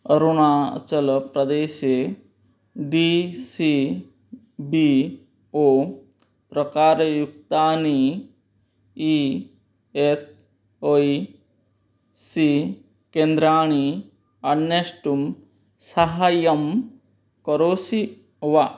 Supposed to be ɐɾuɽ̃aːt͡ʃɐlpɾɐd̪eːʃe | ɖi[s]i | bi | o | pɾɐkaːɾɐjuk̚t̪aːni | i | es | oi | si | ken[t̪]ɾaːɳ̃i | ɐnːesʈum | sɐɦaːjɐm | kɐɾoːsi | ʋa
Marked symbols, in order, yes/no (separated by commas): yes, no